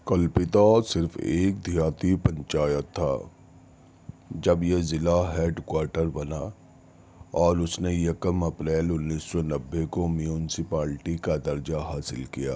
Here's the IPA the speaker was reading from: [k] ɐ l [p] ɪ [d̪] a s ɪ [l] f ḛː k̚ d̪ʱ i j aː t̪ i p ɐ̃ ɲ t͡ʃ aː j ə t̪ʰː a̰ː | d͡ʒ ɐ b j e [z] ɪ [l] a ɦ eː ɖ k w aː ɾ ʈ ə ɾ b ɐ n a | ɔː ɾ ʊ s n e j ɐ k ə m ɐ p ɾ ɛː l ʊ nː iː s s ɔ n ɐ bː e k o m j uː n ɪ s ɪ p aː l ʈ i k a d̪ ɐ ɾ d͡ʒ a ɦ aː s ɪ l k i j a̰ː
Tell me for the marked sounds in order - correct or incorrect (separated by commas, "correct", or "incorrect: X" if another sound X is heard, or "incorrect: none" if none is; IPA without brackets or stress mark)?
correct, correct, incorrect: t̪, incorrect: ɾ, correct, correct